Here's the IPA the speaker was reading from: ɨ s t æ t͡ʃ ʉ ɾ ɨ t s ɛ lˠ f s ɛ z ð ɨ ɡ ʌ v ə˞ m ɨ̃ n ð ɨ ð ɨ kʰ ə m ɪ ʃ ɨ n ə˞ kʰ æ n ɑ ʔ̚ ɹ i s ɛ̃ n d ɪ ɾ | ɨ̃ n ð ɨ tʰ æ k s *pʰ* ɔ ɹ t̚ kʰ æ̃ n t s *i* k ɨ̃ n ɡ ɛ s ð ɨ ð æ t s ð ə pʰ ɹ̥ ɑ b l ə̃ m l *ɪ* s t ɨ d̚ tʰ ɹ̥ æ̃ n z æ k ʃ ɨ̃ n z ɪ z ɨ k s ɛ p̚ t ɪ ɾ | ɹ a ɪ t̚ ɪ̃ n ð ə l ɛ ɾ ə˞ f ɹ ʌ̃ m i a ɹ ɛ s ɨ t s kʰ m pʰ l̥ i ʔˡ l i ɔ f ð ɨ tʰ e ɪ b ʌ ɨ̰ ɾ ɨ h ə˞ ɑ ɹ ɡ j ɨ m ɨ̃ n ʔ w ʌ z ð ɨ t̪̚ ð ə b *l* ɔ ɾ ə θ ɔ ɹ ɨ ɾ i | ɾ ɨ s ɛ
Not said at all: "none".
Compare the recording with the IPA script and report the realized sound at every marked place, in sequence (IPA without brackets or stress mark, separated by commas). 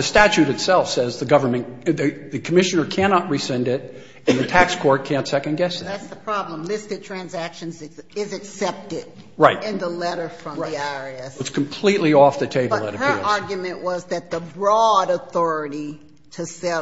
kʰ, ɛ, ɪ, ɹ